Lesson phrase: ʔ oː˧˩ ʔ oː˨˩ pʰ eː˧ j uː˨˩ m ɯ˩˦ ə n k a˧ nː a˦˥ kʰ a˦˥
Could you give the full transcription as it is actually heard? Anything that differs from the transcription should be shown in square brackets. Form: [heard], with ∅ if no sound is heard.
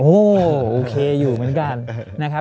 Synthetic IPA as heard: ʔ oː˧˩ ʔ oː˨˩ [kʰ] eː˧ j uː˨˩ m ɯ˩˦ ə n k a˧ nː a˦˥ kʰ a˦˥